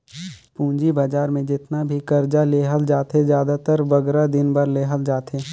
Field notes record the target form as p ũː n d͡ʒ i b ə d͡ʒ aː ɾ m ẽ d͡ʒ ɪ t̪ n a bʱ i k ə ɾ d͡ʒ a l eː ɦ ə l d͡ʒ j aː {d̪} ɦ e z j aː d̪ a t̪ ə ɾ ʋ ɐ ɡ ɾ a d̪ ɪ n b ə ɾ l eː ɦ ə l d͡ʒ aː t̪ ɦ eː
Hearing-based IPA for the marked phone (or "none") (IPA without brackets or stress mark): t̪